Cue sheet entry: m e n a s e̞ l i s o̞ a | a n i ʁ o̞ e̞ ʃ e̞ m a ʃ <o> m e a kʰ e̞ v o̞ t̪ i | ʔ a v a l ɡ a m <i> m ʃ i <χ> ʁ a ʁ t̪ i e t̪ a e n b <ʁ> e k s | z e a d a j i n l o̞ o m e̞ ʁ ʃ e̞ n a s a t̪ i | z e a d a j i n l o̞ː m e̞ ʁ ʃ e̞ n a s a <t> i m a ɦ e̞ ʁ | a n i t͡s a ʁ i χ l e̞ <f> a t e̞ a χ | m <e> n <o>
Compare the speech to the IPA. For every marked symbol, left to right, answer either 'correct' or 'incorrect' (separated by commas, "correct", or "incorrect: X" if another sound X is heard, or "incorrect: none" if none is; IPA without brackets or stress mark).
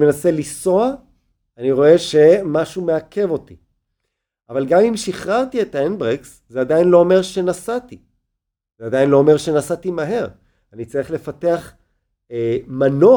incorrect: u, correct, correct, correct, correct, correct, incorrect: a, correct